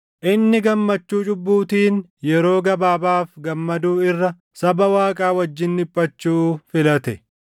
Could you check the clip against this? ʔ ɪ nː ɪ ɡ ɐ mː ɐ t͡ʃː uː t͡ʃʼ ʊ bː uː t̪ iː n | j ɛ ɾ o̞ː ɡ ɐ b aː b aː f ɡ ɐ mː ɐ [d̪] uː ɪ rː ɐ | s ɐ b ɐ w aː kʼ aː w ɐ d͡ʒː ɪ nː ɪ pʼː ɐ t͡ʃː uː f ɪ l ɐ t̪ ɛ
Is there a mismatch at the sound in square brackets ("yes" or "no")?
no